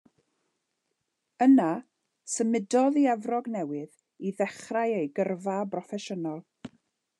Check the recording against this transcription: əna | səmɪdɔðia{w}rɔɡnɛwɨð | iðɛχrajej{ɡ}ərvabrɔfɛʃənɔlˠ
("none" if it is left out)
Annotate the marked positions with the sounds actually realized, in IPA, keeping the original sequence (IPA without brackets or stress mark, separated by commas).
v, ɡ